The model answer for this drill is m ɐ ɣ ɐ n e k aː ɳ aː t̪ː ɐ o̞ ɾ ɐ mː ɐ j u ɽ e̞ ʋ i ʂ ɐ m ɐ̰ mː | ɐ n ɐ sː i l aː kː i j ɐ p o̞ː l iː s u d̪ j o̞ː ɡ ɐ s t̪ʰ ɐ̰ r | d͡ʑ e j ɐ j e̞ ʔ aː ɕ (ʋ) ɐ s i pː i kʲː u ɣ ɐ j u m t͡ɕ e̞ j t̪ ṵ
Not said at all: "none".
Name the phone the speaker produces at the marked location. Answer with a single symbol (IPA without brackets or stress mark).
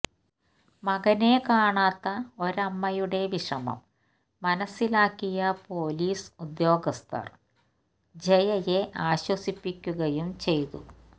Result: w